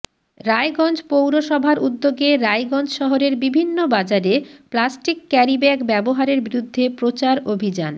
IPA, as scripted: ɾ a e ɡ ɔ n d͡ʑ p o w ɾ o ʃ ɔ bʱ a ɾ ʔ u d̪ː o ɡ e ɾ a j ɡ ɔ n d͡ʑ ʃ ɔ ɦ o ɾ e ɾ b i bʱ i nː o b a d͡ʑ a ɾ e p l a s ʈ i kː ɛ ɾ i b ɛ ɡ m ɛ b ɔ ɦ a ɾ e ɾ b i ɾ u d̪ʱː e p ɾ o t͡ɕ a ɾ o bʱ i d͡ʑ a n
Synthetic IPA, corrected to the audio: ɾ a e ɡ ɔ n d͡ʑ p o w ɾ o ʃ ɔ bʱ a ɾ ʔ u d̪ː o ɡ e ɾ a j ɡ ɔ n d͡ʑ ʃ ɔ ɦ o ɾ e ɾ b i bʱ i nː o b a d͡ʑ a ɾ e p l a s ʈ i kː ɛ ɾ i b ɛ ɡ b ɛ b o ɦ a ɾ e ɾ b i ɾ u d̪ʱː e p ɾ o t͡ɕ a ɾ o bʱ i d͡ʑ a n